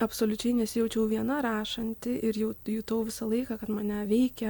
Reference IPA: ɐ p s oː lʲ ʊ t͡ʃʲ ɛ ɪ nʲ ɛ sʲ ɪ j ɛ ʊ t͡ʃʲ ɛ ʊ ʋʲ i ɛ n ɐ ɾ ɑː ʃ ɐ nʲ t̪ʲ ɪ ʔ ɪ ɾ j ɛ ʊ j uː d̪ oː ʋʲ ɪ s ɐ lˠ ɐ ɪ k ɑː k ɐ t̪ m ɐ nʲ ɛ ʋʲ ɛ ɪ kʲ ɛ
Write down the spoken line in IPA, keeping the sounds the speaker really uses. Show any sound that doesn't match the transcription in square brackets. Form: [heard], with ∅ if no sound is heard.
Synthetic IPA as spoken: ɐ p s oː lʲ ʊ t͡ʃʲ ɛ ɪ nʲ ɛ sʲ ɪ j ɛ ʊ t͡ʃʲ ɛ ʊ ʋʲ i ɛ n ɐ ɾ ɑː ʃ ɐ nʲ t̪ʲ ɪ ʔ ɪ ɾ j ɛ ʊ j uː [t̪] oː ʋʲ ɪ s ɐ lˠ ɐ ɪ k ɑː k ɐ t̪ m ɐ nʲ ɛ ʋʲ ɛ ɪ kʲ ɛ

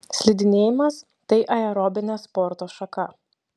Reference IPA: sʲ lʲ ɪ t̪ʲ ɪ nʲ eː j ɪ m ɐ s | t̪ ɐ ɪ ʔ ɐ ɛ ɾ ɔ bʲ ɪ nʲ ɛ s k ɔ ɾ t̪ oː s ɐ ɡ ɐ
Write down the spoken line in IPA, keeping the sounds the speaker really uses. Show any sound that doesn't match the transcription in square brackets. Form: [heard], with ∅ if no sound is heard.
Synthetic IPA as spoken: sʲ lʲ ɪ [d̪ʲ] ɪ nʲ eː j ɪ m ɐ s | t̪ ɐ ɪ ʔ ɐ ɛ ɾ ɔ bʲ ɪ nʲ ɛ s [p] ɔ ɾ t̪ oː [ʃ] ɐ [k] ɐ

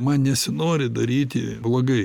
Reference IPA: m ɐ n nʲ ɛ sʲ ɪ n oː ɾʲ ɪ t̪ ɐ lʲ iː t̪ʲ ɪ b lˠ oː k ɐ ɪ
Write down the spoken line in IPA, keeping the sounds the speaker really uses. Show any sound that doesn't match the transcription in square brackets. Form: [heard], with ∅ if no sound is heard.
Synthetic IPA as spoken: m ɐ n nʲ ɛ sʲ ɪ n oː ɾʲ ɪ [d̪] ɐ [ɾʲ] iː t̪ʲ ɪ b lˠ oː [ɡ] ɐ ɪ

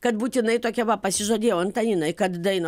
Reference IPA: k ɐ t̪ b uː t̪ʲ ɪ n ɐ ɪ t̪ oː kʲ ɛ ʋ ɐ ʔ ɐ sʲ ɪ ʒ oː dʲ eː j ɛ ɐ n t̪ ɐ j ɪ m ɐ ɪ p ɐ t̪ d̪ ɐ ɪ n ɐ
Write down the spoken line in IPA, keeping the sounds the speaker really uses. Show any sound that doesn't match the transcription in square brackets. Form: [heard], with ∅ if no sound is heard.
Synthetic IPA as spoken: k ɐ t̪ b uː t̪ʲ ɪ n ɐ ɪ t̪ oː kʲ ɛ ʋ ɐ [p] ɐ sʲ ɪ ʒ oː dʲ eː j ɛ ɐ n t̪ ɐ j ɪ [n] ɐ ɪ [k] ɐ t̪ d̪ ɐ ɪ n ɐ

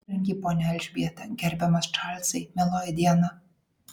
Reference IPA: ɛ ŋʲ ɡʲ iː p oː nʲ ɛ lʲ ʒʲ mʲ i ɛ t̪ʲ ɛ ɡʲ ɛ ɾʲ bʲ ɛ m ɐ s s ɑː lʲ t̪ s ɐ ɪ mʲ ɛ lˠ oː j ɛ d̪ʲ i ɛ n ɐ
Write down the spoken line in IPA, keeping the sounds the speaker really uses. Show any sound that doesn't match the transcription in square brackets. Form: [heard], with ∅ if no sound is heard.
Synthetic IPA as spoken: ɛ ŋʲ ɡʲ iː p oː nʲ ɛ lʲ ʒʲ [bʲ] i ɛ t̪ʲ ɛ ɡʲ ɛ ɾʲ bʲ ɛ m ɐ s [ʃ] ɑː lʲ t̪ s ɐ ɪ mʲ ɛ lˠ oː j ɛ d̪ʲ i ɛ n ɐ

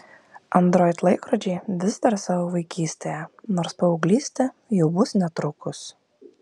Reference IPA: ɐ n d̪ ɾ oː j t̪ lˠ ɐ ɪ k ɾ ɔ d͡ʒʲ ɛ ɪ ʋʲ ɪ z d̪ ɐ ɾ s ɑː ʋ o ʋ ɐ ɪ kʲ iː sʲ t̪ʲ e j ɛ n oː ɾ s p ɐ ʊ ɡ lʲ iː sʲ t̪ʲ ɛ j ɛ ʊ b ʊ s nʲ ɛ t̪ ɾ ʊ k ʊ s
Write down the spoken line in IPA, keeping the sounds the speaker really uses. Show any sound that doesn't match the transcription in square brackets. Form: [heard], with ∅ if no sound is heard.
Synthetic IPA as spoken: ɐ n d̪ ɾ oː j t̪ lˠ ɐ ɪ k ɾ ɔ d͡ʒʲ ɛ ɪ ʋʲ ɪ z d̪ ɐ ɾ s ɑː ʋ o ʋ ɐ ɪ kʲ iː sʲ t̪ʲ e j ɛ n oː ɾ s p ɐ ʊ ɡ lʲ iː sʲ t̪ʲ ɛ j ɛ ʊ b ʊ s nʲ ɛ t̪ ɾ ʊ k ʊ s

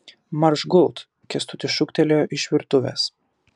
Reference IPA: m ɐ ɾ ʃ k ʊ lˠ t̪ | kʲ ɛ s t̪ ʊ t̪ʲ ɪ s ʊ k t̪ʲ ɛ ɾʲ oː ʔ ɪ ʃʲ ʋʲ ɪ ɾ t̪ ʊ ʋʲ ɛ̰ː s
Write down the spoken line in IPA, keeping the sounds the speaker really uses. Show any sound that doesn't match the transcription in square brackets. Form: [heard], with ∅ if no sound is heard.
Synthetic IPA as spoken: m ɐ ɾ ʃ [ɡ] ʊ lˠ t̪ | kʲ ɛ s t̪ ʊ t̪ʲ ɪ [ʃ] ʊ k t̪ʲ ɛ [lʲ] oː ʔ ɪ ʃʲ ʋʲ ɪ ɾ t̪ ʊ ʋʲ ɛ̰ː s

